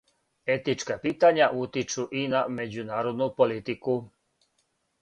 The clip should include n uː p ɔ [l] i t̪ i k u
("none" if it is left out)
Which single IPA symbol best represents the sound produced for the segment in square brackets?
l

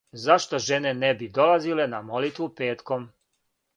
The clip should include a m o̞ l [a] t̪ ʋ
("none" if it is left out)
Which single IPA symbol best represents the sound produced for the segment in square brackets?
i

